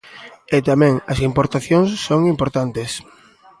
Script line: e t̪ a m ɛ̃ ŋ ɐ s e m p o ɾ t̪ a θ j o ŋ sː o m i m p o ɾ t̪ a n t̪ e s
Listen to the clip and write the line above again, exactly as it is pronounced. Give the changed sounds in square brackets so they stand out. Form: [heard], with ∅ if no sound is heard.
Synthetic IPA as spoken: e t̪ a m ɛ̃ ŋ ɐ s [i] m p o ɾ t̪ a θ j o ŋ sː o [ŋ] i m p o ɾ t̪ a n t̪ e s